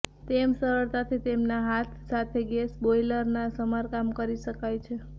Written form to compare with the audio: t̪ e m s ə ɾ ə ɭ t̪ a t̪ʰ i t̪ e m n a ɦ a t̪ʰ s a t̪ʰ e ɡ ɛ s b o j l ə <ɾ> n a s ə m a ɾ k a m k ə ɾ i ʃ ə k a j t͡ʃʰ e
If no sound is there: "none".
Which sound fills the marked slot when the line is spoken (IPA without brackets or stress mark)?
ɾ